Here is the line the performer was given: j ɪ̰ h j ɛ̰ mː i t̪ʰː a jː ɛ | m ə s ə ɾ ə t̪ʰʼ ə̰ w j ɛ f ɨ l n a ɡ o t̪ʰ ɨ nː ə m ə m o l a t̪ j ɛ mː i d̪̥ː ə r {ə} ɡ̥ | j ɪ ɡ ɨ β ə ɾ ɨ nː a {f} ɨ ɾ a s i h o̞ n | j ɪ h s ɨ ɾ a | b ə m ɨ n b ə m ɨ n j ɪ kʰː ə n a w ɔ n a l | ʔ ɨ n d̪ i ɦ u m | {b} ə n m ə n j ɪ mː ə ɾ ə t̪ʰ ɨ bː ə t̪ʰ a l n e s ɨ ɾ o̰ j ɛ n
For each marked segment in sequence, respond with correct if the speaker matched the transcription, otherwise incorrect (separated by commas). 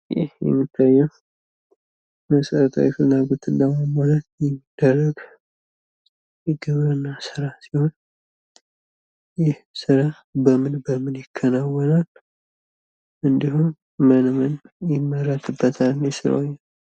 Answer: correct, incorrect, incorrect